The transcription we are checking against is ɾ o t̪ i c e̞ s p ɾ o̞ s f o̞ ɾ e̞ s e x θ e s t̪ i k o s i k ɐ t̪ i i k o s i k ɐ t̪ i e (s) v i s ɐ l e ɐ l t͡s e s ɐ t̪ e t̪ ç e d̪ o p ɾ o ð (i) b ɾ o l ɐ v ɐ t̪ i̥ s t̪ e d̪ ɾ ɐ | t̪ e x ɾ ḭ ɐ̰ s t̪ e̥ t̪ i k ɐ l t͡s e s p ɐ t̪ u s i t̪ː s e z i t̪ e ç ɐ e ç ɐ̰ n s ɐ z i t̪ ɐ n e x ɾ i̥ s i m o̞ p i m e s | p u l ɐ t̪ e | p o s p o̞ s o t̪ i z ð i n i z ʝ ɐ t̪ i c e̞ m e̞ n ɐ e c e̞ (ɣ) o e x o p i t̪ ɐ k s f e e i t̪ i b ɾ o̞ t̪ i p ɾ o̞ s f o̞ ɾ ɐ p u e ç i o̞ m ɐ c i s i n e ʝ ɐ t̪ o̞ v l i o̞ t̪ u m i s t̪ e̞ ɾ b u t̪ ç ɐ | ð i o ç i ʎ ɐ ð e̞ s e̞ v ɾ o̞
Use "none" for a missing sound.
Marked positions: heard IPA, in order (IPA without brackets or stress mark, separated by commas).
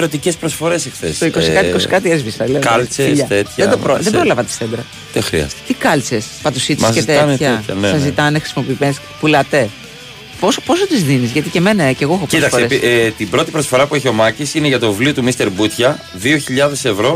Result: z, e, ɣ